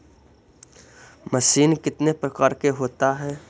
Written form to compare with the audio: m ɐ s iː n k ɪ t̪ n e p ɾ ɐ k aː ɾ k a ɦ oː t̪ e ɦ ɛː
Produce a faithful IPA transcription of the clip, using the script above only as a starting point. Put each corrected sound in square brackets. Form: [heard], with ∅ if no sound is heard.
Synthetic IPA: m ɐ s iː n k ɪ t̪ n e p ɾ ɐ k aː ɾ k [e] ɦ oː t̪ [a] ɦ ɛː